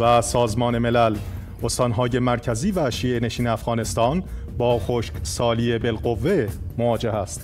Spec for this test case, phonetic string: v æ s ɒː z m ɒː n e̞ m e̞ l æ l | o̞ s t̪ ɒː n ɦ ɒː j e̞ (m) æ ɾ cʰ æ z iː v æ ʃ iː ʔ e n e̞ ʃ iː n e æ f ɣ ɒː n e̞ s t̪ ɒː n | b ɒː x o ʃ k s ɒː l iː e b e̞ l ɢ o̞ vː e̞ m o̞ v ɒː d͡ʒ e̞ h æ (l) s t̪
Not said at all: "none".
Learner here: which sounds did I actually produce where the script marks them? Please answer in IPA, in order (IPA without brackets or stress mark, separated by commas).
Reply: m, none